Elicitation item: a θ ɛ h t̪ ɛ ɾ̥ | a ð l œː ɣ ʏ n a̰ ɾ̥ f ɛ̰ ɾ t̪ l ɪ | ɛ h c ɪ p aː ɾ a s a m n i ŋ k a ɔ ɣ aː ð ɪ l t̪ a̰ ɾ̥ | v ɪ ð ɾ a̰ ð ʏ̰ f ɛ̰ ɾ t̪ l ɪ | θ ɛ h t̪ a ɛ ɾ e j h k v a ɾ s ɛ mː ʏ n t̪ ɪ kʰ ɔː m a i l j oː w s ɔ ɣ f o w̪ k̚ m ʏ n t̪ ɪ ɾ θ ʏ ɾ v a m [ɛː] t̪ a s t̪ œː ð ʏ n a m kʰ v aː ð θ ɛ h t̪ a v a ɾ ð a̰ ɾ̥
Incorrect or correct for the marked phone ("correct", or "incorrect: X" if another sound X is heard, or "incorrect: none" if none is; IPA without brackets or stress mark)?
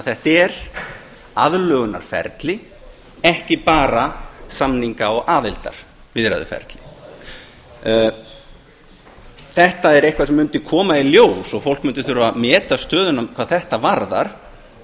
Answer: correct